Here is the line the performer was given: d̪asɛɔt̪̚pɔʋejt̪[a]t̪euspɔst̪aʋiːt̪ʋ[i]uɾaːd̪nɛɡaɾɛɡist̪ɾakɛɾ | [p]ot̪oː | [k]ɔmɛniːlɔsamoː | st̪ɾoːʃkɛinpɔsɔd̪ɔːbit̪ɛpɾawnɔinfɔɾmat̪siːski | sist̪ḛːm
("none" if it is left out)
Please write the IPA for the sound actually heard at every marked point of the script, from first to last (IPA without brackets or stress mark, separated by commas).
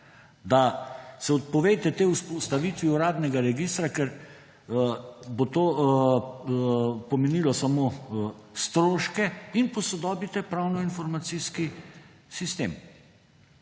ɛ, i, b, p